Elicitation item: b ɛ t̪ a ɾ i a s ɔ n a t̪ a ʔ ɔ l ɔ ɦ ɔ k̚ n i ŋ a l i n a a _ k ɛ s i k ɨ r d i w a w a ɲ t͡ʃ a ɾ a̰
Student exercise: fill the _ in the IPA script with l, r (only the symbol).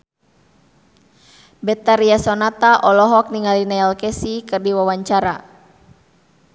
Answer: l